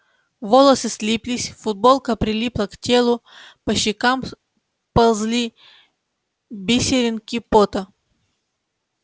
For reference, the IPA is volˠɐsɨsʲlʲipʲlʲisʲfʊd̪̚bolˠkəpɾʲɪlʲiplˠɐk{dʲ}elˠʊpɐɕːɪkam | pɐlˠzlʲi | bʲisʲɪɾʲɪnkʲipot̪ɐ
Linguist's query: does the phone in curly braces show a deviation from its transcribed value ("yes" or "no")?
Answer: yes